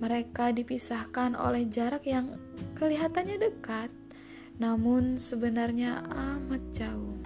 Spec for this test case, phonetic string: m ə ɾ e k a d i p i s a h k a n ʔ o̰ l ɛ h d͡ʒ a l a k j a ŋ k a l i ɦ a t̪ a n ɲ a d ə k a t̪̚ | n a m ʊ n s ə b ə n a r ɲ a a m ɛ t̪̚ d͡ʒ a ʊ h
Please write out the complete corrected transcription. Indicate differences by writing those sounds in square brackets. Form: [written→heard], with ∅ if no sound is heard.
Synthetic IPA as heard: m ə ɾ e k a d i p i s a h k a n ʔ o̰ l ɛ h d͡ʒ a [l→ɾ] a k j a ŋ k [a→ə] l i ɦ a t̪ a n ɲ a d ə k a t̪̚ | n a m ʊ n s ə b ə n a r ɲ a a m [ɛ→a] t̪̚ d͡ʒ a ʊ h